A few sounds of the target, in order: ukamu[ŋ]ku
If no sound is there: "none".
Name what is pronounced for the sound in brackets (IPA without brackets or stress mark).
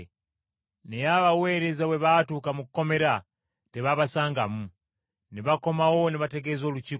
none